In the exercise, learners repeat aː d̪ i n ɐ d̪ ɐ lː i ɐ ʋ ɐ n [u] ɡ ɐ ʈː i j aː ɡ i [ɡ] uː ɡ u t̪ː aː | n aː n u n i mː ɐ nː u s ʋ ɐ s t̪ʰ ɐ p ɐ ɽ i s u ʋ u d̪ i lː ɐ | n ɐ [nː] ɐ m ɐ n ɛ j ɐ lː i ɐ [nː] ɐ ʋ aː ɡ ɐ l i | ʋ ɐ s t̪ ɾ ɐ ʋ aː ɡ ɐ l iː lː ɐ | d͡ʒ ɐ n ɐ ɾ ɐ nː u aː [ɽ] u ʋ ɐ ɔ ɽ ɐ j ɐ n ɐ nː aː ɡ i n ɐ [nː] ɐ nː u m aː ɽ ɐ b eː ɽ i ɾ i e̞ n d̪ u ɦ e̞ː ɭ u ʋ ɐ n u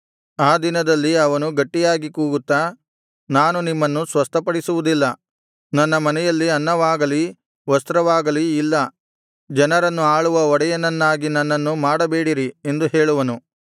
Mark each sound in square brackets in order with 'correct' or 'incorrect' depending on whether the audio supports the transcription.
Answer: correct, incorrect: k, correct, correct, incorrect: ɭ, correct

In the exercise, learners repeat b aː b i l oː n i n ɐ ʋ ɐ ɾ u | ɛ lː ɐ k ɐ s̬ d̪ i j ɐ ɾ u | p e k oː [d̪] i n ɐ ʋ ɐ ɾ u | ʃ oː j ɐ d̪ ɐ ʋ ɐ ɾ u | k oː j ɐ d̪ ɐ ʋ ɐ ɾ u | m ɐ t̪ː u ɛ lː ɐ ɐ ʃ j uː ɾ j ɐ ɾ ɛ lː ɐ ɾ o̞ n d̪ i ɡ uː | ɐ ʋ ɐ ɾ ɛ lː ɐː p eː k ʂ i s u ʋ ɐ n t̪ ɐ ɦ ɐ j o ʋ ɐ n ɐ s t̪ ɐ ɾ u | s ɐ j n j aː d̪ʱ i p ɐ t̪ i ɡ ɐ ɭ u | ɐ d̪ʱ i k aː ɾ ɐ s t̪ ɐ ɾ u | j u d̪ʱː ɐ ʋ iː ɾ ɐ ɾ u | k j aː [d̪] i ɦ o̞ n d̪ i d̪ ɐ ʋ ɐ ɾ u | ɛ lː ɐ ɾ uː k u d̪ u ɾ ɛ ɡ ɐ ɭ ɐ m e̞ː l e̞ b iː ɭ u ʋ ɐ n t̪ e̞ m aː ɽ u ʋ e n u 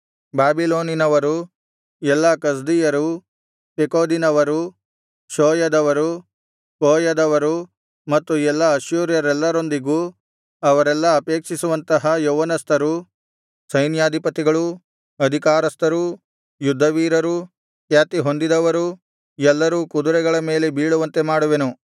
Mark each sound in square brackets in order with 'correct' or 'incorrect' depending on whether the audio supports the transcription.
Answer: correct, incorrect: t̪

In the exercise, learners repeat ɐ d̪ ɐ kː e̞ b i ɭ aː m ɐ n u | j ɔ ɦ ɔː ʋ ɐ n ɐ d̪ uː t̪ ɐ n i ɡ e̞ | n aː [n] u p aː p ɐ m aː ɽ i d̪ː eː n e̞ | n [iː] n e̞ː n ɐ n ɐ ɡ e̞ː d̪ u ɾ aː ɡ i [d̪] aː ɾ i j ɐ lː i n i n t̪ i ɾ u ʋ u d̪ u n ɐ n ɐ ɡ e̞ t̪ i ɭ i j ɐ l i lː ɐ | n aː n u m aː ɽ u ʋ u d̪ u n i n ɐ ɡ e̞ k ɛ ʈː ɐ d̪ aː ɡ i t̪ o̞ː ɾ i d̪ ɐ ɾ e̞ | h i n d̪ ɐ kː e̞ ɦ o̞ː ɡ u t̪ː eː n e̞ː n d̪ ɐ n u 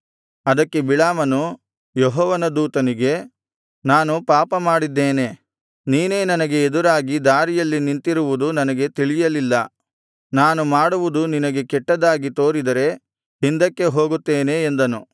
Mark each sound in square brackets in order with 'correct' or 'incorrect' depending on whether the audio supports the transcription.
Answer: correct, correct, correct

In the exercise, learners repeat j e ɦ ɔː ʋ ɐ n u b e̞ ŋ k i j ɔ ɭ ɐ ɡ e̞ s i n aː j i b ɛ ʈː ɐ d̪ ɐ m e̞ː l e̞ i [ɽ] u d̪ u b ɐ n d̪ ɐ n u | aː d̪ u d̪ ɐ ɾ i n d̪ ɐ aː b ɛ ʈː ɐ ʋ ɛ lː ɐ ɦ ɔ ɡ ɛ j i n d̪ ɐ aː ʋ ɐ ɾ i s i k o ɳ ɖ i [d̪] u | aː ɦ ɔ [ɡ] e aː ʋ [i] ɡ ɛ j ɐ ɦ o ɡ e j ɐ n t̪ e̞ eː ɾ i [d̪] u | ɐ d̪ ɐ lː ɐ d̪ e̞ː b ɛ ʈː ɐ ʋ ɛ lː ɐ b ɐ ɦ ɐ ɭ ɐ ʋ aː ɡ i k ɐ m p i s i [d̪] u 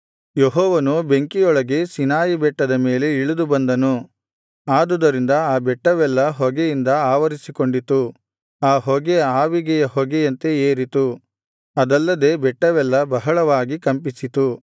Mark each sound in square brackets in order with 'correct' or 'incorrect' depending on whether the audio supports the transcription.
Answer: incorrect: ɭ, incorrect: t̪, correct, correct, incorrect: t̪, incorrect: t̪

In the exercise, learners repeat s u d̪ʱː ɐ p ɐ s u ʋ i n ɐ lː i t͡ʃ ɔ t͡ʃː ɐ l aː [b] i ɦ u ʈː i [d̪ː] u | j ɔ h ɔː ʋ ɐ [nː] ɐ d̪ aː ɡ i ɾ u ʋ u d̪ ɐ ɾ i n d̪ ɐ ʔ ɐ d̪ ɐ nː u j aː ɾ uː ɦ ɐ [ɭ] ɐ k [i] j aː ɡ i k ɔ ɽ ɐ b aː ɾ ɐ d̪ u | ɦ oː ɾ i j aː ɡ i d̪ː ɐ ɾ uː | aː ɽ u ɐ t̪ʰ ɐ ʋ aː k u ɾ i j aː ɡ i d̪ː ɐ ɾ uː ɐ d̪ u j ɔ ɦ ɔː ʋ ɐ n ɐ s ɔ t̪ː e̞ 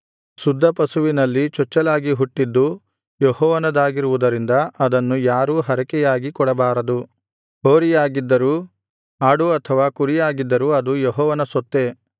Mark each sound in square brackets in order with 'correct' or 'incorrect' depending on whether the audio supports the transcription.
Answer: incorrect: ɡ, correct, incorrect: n, incorrect: ɾ, incorrect: ɛ

